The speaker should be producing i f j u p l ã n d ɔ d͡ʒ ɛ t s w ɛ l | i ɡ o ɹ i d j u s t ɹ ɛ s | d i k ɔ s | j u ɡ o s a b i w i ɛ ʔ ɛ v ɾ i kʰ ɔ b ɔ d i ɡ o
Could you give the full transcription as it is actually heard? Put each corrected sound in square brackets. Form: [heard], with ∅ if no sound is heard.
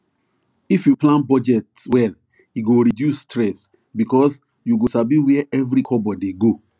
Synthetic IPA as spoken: i f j u p l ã n [b] ɔ d͡ʒ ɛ t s w ɛ l | i ɡ o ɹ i d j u s t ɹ ɛ s | [b] i k ɔ s | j u ɡ o s a b i w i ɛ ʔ ɛ v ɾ i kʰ ɔ b ɔ d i ɡ o